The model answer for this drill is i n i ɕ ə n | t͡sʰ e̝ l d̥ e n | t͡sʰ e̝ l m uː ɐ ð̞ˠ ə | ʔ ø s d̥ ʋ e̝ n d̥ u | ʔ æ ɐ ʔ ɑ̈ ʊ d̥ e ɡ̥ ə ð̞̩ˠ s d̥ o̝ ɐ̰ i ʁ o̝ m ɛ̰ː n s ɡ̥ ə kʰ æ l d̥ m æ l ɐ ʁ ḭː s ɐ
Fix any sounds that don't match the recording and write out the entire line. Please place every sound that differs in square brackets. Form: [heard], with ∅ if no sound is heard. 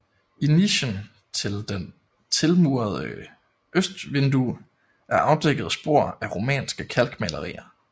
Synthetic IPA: i n i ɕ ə n | t͡sʰ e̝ l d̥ e n | t͡sʰ e̝ l m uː ɐ ð̞ˠ ə | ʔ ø s d̥ ʋ e̝ n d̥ u | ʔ æ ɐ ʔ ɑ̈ ʊ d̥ e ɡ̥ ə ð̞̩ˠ s [b̥] o̝ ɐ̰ [æ] ʁ o̝ m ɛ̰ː n s ɡ̥ ə kʰ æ l [ɡ̥] m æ l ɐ ʁ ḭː [∅] ɐ